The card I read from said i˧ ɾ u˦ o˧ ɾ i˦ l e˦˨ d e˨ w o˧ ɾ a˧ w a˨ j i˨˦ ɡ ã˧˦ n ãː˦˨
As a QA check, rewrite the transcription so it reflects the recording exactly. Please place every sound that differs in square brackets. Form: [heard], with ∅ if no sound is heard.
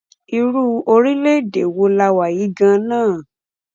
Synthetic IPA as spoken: i˧ ɾ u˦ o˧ ɾ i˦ l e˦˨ d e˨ w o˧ [l] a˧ w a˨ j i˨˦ ɡ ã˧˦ n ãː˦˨

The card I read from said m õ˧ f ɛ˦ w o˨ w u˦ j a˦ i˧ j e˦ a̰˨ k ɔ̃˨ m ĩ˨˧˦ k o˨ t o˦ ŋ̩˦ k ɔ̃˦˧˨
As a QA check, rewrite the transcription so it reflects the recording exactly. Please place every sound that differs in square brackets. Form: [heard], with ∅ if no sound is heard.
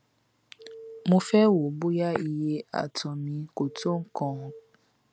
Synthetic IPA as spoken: m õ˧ f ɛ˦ w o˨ [b] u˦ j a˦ i˧ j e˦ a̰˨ [t] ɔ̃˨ m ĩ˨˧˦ k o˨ t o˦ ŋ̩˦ k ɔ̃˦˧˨

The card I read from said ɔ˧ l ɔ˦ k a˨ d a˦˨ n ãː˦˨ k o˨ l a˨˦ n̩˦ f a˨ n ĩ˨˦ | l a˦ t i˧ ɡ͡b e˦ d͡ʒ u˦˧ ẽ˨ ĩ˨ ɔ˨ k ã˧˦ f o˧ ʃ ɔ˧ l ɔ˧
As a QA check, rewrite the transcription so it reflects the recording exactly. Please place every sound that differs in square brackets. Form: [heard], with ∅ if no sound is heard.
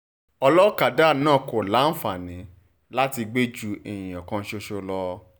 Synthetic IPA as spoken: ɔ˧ l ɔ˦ k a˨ d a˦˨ n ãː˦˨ k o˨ l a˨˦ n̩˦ f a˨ n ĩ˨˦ | l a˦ t i˧ ɡ͡b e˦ d͡ʒ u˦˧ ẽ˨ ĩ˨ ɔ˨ k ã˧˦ [ʃ] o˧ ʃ [o˧] l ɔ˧

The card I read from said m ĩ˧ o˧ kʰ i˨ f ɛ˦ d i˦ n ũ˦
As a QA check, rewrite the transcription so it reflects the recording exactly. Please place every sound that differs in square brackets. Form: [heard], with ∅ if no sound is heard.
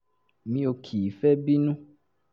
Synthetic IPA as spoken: m ĩ˧ o˧ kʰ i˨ f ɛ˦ [b] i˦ n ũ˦

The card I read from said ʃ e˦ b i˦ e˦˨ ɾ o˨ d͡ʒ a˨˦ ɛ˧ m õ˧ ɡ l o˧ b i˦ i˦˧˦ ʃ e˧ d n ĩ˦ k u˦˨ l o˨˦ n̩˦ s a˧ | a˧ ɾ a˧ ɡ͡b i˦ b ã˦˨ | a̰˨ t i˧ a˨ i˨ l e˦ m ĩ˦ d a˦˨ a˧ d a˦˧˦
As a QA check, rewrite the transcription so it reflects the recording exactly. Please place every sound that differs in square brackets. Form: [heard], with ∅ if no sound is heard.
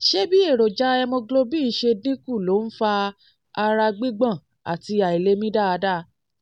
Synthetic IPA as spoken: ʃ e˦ b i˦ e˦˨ ɾ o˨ d͡ʒ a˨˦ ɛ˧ m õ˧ ɡ l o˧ b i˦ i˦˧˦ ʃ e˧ d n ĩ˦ k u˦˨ l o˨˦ n̩˦ [f] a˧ | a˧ ɾ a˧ ɡ͡b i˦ [ɡ͡b] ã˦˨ | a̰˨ t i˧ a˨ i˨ l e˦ m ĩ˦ d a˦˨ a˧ d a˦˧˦

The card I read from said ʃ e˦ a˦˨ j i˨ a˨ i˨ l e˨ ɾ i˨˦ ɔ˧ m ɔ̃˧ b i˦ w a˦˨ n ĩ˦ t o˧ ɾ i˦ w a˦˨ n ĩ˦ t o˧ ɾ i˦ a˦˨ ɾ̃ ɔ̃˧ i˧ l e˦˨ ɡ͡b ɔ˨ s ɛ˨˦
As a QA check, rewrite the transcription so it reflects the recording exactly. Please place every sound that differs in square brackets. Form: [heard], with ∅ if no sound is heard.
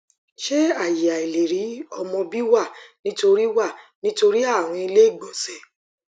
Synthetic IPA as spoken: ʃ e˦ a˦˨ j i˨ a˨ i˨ l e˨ ɾ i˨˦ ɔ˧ m ɔ̃˧ b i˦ w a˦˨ n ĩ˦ t o˧ ɾ i˦ w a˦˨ n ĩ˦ t o˧ ɾ i˦ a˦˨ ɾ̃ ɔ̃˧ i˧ l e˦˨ ɡ͡b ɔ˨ s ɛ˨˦

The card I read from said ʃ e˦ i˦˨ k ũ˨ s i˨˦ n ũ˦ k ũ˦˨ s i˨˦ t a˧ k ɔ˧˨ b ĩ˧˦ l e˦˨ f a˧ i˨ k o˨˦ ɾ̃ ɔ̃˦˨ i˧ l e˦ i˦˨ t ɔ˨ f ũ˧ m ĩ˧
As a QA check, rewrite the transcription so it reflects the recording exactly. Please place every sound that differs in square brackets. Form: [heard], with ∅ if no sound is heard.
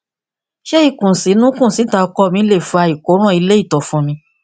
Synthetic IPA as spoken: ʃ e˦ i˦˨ k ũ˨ s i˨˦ n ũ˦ k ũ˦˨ s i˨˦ t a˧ k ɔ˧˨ [m] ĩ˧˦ l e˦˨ f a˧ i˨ k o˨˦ ɾ̃ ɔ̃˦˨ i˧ l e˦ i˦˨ t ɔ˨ f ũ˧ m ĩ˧

